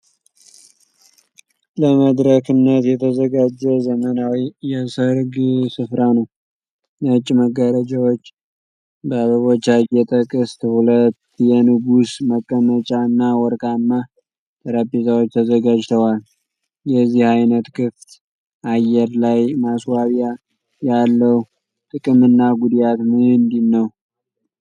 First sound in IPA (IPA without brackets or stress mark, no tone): l